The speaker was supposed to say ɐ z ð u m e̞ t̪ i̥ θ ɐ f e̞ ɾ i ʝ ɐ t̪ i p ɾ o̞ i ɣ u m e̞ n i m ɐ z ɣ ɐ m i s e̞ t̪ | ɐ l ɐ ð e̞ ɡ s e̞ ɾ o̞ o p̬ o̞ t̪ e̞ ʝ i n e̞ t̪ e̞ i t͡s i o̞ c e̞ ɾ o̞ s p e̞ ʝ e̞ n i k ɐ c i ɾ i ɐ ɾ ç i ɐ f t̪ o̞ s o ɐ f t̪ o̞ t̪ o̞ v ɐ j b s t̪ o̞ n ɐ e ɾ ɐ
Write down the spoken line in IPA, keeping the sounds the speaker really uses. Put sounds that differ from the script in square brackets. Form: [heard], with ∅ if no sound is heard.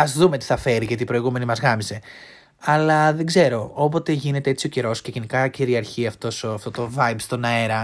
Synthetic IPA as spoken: ɐ z ð u m e̞ t̪ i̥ θ ɐ f e̞ ɾ i ʝ ɐ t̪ i p ɾ o̞ i ɣ u m e̞ n i m ɐ z ɣ ɐ m i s e̞ [∅] | ɐ l ɐ ð e̞ ɡ [z] e̞ ɾ o̞ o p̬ o̞ t̪ e̞ ʝ i n e̞ t̪ e̞ [e] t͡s i o̞ c e̞ ɾ o̞ s [c] e̞ ʝ e̞ n i k ɐ c i ɾ i ɐ ɾ ç i ɐ f t̪ o̞ s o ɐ f t̪ o̞ t̪ o̞ v ɐ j b s t̪ o̞ n ɐ e ɾ ɐ